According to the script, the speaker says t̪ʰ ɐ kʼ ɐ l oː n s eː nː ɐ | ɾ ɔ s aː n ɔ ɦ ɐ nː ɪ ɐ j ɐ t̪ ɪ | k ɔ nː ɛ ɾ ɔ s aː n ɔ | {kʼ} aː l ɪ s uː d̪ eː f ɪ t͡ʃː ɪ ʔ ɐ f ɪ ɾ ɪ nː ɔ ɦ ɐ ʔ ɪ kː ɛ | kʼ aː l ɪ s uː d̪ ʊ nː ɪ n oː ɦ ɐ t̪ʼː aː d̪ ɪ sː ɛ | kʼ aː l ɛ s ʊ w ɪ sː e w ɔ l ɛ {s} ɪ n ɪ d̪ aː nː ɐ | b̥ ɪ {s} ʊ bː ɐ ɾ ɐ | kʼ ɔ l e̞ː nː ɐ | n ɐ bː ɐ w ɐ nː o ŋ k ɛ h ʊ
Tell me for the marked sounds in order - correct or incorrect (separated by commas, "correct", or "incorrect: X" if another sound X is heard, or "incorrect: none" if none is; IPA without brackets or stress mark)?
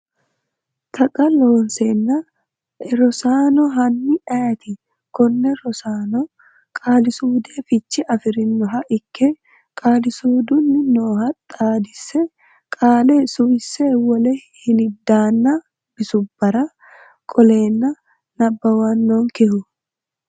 correct, incorrect: h, correct